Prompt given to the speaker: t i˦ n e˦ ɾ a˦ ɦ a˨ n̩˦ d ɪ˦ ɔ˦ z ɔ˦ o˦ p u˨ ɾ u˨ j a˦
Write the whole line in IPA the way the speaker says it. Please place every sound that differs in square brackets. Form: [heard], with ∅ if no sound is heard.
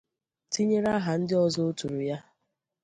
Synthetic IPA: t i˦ [ɲ] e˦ ɾ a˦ ɦ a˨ n̩˦ d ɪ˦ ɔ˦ z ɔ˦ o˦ [t] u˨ ɾ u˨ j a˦